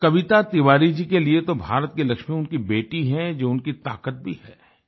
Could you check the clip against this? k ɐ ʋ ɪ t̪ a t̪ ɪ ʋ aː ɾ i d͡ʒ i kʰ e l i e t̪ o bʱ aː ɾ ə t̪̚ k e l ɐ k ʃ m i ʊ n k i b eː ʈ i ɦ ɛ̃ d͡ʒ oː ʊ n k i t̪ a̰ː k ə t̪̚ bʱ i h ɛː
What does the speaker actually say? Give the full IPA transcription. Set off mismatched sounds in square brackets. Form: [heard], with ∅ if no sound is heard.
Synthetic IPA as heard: k ɐ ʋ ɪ t̪ a t̪ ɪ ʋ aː ɾ i d͡ʒ i [k] e l i e t̪ o bʱ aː ɾ ə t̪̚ k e l ɐ k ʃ m i ʊ n k i b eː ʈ i ɦ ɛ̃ d͡ʒ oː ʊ n k i t̪ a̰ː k ə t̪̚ bʱ i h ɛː